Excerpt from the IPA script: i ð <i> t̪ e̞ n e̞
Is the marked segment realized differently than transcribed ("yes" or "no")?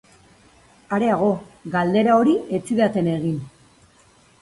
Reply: yes